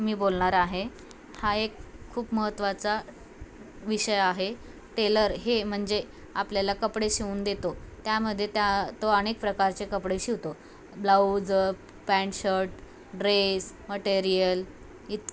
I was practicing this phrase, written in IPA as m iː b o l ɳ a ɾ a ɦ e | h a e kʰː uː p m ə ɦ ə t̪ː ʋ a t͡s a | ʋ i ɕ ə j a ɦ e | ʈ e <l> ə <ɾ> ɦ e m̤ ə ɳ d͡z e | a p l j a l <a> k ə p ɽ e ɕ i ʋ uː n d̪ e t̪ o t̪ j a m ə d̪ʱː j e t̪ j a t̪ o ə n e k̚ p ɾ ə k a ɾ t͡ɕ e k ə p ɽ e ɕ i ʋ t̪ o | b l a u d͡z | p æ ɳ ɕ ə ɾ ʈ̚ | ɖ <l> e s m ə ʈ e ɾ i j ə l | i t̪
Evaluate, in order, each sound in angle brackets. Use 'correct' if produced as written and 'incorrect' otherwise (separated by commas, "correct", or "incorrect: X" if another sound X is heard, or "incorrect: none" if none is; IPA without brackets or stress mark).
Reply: correct, correct, correct, incorrect: ɾ